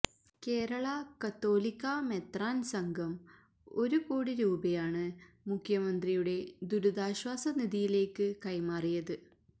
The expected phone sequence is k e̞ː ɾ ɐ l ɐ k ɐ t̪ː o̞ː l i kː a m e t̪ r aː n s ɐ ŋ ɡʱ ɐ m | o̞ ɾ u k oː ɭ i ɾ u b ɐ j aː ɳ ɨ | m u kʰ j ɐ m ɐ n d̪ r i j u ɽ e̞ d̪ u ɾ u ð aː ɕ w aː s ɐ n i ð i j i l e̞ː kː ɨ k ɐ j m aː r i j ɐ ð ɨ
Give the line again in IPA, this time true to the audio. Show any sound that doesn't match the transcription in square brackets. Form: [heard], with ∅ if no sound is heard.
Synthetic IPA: k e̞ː ɾ ɐ [ɭ] ɐ k ɐ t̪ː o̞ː l i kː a m e t̪ r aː n s ɐ ŋ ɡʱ ɐ m | o̞ ɾ u k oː [ɽ] i ɾ [uː] b ɐ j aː ɳ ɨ | m u kʰ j ɐ m ɐ n d̪ r i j u ɽ e̞ d̪ u ɾ u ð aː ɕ w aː s ɐ n i ð i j i l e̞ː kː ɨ k ɐ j m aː r i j ɐ ð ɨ

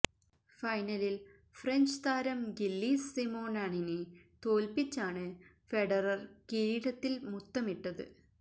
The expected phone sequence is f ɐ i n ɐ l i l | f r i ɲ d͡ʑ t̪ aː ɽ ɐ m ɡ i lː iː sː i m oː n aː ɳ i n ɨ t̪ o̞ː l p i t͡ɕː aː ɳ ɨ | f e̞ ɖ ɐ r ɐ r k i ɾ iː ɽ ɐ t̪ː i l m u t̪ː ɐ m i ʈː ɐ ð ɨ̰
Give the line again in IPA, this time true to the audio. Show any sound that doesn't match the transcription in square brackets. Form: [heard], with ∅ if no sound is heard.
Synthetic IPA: f ɐ [j] n ɐ l i l | f r [e] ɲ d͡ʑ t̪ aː [ɾ] ɐ m ɡ i lː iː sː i m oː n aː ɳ i n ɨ t̪ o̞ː l p i t͡ɕː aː ɳ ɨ | f e̞ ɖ ɐ r ɐ r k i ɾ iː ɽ ɐ t̪ː i l m u t̪ː ɐ m i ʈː ɐ ð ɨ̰

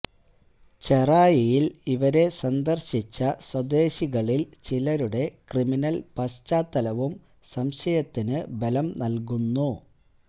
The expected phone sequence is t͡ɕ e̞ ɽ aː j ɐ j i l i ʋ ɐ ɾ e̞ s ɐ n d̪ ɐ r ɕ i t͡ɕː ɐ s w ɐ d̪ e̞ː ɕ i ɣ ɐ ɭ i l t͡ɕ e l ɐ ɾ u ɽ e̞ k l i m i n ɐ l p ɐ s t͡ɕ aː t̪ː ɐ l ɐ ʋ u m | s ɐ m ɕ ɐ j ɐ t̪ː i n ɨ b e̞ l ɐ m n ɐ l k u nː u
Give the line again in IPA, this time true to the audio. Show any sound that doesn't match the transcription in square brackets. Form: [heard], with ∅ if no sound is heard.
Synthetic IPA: t͡ɕ e̞ [r] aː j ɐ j i l i ʋ ɐ ɾ e̞ s ɐ n d̪ ɐ r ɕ i t͡ɕː ɐ s w ɐ d̪ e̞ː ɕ i ɣ ɐ ɭ i l t͡ɕ [i] l ɐ ɾ u ɽ e̞ k [r] i m i n ɐ l p ɐ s t͡ɕ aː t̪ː ɐ l ɐ ʋ u m | s ɐ m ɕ ɐ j ɐ t̪ː i n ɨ b e̞ l ɐ m n ɐ l k u nː u

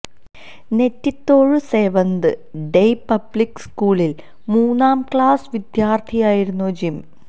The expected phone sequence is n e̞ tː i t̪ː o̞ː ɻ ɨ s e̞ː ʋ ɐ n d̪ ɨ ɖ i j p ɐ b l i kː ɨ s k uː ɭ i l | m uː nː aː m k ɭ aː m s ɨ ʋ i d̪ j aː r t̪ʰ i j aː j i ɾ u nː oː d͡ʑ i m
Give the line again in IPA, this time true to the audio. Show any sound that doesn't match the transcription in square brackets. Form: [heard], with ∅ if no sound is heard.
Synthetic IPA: n e̞ tː i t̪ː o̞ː ɻ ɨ s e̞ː ʋ ɐ n d̪ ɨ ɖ [e] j p ɐ b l i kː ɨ s k uː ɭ i l | m uː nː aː m k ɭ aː [∅] s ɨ ʋ i d̪ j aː r t̪ʰ i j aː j i ɾ u nː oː d͡ʑ i m

